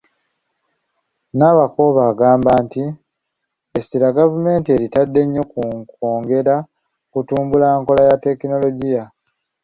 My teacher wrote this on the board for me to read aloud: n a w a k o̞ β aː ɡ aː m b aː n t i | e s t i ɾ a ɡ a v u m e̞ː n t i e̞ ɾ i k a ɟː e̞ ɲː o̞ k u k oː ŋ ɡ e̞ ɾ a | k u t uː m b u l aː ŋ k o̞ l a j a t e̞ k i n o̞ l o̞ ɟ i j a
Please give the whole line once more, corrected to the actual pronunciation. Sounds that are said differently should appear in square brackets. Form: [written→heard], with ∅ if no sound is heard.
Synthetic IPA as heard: n a [w→β] a k o̞ β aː ɡ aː m b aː n t i | e s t i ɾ a ɡ a v u m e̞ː n t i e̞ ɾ i [k→t] a [ɟː→dː] e̞ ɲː o̞ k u k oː ŋ ɡ e̞ ɾ a | k u t uː m b u l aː ŋ k o̞ l a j a t e̞ k i n o̞ l o̞ ɟ i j a